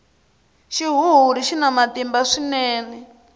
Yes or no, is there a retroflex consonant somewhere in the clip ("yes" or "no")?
yes